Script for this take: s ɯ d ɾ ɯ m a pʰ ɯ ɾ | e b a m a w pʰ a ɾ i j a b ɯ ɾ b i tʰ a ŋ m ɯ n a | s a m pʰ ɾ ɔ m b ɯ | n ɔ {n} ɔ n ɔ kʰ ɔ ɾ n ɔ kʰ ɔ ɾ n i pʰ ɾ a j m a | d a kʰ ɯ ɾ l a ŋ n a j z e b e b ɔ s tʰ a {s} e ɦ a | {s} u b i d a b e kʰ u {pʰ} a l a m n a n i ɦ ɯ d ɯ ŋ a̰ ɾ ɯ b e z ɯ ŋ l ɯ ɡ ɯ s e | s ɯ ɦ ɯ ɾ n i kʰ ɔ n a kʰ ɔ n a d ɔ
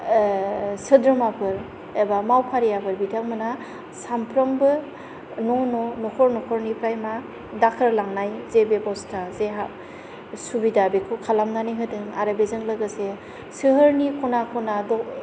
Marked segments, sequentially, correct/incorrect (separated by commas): correct, incorrect, correct, incorrect